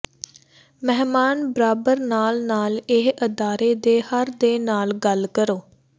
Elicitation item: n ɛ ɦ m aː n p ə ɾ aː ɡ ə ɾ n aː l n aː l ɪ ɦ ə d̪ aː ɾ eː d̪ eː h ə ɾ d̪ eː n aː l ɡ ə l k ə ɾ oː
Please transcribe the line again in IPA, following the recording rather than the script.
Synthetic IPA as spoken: m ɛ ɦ m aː n b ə ɾ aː b ə ɾ n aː l n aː l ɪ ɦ ə d̪ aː ɾ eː d̪ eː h ə ɾ d̪ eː n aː l ɡ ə l k ə ɾ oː